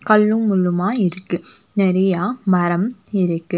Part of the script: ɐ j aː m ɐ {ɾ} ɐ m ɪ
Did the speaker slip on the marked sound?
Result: no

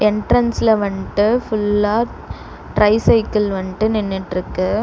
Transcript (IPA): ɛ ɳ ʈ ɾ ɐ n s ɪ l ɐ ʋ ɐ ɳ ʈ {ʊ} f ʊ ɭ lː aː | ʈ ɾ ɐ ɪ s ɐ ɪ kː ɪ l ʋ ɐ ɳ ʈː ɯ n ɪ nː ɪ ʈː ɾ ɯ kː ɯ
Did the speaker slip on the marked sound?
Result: yes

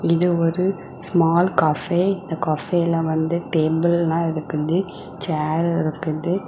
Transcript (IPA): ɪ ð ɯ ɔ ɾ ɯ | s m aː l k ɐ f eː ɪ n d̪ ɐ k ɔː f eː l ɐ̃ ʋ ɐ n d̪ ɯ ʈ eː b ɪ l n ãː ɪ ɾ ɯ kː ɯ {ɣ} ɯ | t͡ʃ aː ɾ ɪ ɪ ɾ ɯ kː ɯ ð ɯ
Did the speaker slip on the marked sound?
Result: yes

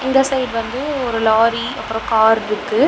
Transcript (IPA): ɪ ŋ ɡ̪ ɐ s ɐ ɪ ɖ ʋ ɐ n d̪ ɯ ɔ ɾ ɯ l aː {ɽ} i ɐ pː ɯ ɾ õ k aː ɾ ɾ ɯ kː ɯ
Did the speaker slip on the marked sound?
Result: yes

